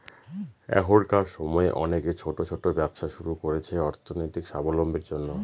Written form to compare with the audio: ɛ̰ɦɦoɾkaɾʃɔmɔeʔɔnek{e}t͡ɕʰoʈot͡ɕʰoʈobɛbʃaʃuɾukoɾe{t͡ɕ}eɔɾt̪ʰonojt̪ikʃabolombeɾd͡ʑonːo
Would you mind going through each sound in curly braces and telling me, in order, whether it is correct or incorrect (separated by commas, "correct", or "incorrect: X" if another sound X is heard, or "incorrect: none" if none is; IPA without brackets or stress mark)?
correct, incorrect: t͡ɕʰ